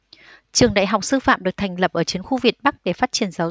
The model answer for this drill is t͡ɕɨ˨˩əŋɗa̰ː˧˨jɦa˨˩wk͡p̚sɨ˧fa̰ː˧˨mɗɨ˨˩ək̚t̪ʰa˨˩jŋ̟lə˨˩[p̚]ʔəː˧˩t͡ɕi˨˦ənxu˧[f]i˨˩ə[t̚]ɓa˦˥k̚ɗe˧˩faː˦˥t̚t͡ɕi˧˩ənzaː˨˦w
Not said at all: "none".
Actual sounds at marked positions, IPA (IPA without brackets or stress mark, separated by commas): p̚, v, t̚